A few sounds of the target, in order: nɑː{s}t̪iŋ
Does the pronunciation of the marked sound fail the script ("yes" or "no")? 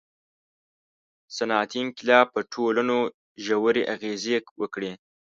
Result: yes